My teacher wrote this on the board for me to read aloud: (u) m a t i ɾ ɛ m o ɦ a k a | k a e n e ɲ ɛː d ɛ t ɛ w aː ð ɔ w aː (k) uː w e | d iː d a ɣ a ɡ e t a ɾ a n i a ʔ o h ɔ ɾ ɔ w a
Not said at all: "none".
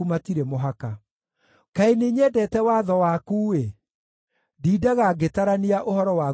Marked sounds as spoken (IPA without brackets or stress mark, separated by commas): u, k